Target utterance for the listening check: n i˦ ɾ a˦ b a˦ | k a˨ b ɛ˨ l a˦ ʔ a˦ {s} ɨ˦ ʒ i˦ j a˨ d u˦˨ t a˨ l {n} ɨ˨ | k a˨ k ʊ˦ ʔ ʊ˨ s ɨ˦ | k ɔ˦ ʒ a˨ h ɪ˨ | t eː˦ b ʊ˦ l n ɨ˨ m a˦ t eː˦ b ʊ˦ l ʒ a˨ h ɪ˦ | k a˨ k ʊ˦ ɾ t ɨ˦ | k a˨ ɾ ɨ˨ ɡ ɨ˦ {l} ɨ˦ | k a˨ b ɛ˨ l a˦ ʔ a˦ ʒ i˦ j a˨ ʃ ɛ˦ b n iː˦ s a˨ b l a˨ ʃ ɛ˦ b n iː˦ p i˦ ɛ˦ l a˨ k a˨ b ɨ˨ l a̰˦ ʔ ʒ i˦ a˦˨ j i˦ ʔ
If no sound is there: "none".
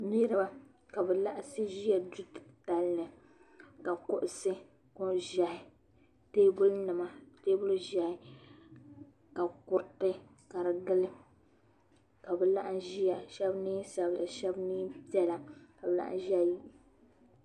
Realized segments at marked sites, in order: s, n, l

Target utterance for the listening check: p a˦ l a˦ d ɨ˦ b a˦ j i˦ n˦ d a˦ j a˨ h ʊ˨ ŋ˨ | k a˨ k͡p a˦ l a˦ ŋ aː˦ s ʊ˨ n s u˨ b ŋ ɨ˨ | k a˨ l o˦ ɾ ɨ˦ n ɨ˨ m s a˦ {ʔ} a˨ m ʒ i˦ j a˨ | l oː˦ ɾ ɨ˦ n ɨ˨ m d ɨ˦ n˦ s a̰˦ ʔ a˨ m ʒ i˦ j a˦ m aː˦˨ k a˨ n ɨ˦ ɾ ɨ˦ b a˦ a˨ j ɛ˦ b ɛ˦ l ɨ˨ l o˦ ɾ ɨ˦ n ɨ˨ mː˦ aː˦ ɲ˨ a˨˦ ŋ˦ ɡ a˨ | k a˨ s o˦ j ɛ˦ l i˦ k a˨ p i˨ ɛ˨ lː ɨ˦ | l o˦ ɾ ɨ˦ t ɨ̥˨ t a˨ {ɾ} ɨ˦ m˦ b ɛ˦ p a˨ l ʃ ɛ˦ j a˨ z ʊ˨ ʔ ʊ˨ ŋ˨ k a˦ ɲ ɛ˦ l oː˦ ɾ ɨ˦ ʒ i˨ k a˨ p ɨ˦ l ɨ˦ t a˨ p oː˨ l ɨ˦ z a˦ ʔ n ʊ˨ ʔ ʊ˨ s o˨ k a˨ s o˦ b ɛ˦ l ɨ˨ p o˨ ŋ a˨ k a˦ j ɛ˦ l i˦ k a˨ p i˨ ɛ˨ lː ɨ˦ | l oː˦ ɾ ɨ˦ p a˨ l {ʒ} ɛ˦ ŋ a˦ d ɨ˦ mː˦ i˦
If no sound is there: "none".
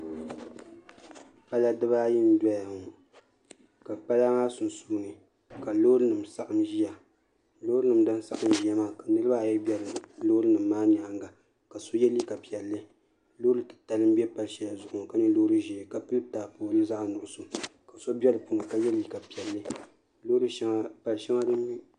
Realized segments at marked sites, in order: ʔ, l, ʃ

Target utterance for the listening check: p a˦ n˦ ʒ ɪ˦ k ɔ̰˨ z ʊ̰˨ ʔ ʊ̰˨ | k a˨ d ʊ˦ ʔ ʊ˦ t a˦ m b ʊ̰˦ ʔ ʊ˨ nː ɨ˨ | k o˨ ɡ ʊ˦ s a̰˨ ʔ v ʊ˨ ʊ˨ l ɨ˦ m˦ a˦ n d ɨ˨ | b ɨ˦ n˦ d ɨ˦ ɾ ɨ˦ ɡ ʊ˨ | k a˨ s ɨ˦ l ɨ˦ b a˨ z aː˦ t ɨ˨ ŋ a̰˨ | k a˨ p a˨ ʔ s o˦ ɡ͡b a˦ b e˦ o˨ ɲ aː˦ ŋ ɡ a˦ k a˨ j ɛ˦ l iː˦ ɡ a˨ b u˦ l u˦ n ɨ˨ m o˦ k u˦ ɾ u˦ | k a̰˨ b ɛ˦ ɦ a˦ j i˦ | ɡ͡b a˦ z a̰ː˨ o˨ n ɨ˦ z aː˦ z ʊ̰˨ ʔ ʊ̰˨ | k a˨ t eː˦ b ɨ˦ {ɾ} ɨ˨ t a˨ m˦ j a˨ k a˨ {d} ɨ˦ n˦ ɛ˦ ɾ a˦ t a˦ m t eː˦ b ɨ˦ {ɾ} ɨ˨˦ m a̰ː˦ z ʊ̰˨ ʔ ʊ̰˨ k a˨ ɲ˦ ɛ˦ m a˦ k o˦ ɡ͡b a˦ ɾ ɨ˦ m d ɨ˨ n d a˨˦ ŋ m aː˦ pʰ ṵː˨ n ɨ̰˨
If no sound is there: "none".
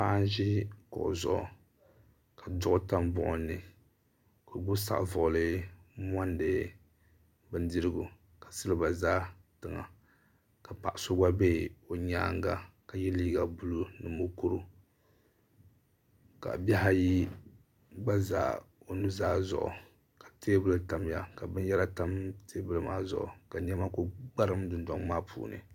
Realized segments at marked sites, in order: l, b, l

